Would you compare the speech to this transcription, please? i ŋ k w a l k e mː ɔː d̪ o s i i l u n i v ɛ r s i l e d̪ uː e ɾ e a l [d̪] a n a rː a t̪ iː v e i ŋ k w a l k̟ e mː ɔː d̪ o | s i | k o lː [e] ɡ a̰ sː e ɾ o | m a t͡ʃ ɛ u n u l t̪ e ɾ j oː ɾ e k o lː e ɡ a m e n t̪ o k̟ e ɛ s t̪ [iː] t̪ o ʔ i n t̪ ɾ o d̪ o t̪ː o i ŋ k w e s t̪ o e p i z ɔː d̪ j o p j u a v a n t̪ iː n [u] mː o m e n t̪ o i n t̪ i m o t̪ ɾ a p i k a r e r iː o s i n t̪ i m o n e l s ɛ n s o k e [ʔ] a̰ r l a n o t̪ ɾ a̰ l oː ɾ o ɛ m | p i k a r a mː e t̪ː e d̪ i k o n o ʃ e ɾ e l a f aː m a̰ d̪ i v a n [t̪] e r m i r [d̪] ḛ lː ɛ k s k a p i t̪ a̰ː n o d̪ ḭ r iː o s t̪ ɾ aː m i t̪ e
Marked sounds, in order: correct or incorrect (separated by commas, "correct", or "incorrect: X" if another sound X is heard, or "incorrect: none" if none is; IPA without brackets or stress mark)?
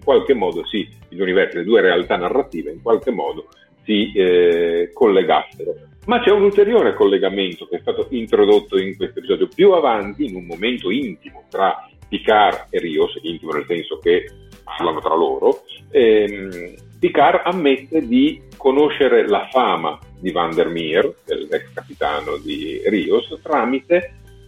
incorrect: t̪, correct, incorrect: aː, correct, incorrect: p, incorrect: d̪, correct